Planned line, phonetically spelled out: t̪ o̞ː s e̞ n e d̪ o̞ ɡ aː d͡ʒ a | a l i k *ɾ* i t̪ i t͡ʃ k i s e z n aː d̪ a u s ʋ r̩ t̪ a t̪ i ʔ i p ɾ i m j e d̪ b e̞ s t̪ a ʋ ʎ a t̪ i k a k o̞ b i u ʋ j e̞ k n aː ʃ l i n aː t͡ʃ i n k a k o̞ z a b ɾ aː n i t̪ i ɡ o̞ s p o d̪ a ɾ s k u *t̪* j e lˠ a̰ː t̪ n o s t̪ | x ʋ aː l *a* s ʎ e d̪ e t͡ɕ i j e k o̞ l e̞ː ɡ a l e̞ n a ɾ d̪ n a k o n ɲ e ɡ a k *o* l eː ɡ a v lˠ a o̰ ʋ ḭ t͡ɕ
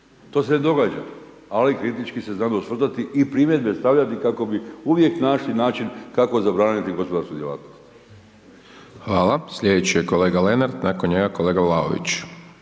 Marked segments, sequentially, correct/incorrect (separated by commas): correct, incorrect, correct, correct